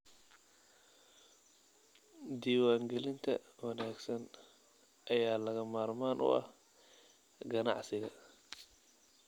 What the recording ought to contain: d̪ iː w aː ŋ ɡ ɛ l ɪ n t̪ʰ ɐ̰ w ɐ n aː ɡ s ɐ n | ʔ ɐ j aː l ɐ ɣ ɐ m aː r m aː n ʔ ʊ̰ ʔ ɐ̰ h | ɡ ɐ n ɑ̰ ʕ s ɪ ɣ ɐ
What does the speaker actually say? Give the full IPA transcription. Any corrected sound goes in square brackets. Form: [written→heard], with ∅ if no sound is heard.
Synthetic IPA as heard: d̪ iː w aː ŋ ɡ ɛ l ɪ n t̪ʰ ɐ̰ w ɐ n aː ɡ s ɐ n | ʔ ɐ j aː l ɐ ɣ ɐ m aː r m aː n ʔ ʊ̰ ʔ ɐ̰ h | ɡ ɐ n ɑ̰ ʕ s ɪ ɣ ɐ